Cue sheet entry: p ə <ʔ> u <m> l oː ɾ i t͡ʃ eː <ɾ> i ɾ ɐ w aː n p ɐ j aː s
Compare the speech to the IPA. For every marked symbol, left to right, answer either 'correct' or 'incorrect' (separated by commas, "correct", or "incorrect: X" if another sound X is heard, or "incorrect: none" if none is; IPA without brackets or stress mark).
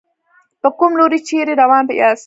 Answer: incorrect: k, correct, correct